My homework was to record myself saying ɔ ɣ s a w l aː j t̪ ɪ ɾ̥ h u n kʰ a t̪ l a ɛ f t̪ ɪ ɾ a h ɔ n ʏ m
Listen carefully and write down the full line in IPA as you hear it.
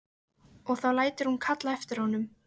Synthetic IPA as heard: ɔ ɣ θ a w l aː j t̪ ɪ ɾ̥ h u n kʰ a t̪ l a ɛ f t̪ ɪ ɾ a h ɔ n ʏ m